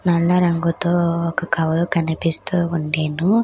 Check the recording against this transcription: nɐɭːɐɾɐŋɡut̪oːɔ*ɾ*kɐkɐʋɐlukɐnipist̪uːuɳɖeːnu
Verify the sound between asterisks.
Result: incorrect: none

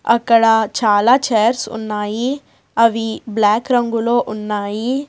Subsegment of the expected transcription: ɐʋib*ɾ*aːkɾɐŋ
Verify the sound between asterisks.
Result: incorrect: l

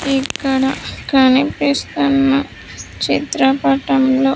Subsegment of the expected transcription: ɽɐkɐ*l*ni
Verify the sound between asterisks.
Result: incorrect: none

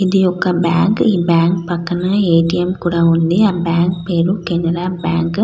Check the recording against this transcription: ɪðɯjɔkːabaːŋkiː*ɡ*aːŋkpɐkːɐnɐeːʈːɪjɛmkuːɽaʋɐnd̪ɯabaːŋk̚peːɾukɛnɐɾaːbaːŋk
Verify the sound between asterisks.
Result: incorrect: b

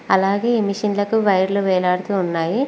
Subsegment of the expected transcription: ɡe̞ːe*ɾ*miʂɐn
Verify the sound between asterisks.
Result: incorrect: none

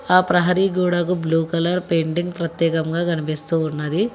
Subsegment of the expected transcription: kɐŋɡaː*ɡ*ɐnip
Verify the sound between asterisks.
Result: correct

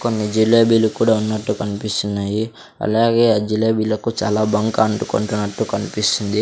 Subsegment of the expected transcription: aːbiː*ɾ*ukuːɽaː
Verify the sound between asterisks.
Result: incorrect: l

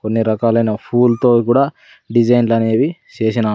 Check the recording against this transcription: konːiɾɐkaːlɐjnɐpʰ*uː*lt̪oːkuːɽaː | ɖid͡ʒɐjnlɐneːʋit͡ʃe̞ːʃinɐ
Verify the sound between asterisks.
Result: correct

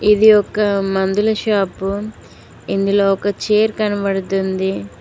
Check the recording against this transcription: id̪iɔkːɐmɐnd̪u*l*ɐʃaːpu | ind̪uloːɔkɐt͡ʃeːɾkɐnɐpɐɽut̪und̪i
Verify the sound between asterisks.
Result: correct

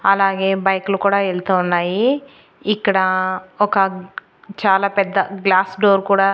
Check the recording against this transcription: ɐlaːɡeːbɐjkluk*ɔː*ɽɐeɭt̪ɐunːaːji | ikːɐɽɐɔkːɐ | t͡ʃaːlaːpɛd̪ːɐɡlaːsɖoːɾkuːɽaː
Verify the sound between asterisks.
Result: incorrect: uː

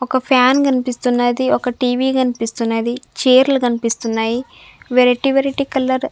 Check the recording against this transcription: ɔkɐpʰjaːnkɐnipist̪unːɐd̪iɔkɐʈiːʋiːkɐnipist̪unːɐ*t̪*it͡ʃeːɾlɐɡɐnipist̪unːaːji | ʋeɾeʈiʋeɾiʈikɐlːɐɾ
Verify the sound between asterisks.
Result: incorrect: d̪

